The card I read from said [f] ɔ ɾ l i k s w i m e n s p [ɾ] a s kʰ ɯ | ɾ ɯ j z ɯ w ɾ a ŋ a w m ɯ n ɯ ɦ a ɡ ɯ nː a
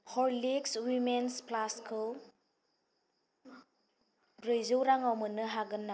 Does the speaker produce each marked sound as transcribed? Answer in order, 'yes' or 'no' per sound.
no, no

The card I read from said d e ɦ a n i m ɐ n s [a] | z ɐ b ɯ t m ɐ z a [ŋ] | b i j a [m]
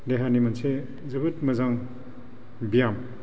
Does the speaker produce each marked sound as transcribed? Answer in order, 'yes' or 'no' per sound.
no, yes, yes

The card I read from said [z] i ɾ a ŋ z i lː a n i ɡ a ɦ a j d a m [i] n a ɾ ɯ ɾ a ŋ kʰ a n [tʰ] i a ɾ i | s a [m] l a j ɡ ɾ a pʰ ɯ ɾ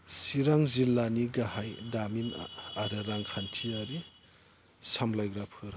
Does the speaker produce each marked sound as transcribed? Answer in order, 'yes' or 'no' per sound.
no, yes, yes, yes

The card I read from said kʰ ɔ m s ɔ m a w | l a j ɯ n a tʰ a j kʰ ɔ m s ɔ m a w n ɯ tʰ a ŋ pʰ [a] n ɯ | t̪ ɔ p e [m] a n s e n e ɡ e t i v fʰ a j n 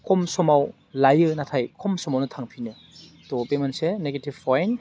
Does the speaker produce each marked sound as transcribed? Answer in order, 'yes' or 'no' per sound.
no, yes

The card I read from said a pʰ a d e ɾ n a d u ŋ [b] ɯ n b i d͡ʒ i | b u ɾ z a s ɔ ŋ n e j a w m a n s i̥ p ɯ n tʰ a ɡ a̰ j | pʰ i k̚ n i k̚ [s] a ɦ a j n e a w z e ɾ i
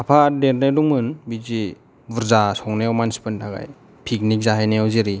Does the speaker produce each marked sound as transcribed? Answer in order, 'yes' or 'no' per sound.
no, no

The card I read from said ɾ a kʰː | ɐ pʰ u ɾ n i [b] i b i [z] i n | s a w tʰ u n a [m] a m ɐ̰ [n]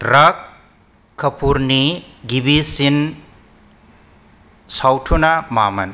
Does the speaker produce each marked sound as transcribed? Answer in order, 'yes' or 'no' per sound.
no, no, yes, yes

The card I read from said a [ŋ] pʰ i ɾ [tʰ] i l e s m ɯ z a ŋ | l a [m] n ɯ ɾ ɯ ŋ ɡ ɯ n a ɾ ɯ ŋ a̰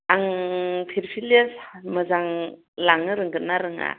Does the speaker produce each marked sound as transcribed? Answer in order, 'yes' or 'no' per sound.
yes, no, no

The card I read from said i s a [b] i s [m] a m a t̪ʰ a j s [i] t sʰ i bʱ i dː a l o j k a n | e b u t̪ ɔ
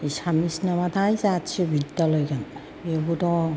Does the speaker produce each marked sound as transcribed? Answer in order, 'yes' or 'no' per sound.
no, no, no

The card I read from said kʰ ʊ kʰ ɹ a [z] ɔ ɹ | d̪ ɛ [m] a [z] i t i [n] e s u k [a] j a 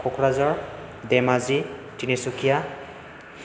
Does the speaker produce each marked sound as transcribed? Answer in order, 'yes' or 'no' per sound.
yes, yes, yes, yes, no

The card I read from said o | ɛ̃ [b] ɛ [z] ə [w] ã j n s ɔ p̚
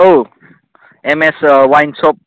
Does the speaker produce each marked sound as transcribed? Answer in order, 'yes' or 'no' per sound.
no, no, yes

